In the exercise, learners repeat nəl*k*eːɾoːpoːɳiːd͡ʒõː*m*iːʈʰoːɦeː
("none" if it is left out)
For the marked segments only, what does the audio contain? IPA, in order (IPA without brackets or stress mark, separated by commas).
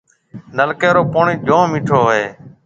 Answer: k, m